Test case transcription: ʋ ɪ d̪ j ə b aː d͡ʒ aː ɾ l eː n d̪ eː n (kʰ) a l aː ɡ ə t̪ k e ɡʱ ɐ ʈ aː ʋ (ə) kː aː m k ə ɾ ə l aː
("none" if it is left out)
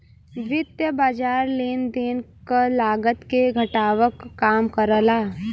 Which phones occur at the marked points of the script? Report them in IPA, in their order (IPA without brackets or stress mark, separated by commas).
k, ə